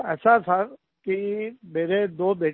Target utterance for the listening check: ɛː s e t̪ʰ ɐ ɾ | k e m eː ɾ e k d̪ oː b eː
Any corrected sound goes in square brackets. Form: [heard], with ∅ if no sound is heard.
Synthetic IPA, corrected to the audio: ɛː s [a] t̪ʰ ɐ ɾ | k [i] m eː ɾ e [∅] d̪ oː b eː